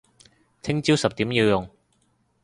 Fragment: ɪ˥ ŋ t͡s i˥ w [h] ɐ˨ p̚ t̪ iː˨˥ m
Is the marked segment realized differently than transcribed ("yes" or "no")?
yes